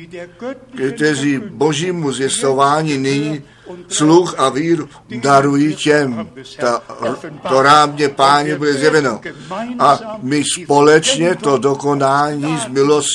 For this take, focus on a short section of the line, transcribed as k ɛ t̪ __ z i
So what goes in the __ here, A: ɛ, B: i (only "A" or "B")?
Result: A